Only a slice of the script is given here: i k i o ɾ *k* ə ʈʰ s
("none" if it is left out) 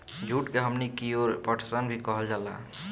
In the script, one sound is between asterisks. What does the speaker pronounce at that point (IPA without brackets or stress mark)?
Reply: p